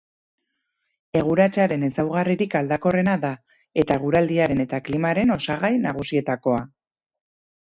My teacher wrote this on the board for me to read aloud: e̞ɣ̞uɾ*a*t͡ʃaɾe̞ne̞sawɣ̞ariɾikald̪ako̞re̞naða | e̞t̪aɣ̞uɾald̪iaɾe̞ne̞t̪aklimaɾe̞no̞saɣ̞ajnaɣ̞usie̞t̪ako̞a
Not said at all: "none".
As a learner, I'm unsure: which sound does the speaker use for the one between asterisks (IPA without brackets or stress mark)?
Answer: a